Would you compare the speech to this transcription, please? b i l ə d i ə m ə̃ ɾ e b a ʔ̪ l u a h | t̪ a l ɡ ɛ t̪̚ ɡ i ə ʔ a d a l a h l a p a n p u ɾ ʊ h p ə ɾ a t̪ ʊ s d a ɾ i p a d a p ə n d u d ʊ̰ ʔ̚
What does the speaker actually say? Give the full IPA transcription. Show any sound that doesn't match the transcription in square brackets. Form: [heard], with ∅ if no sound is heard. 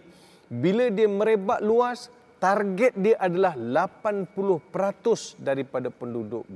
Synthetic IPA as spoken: b i l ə d i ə m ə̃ ɾ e b a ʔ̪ l u a [s] | t̪ a [r] ɡ ɛ t̪̚ [d] i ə ʔ a d a l a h l a p a n p u [l] ʊ h p ə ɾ a t̪ ʊ s d a ɾ i p a d a p ə n d u d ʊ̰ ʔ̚